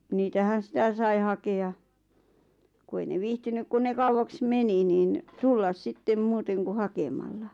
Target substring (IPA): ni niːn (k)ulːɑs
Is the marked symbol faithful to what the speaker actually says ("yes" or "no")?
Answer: no